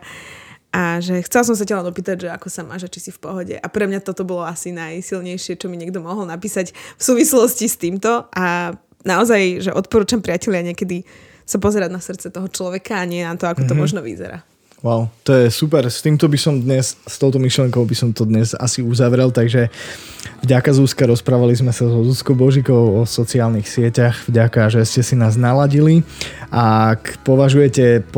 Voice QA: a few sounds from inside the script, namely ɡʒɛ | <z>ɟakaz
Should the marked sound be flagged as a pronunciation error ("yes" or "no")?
yes